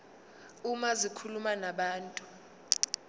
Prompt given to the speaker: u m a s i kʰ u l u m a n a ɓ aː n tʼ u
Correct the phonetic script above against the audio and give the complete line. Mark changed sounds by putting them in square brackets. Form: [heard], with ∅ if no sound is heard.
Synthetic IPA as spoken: u m a [z] i kʰ u l u m a n a ɓ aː n tʼ u